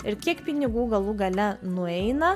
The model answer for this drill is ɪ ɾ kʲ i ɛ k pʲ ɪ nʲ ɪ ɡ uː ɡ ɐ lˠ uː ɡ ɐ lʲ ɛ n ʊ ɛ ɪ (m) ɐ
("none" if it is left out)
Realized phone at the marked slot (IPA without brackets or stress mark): n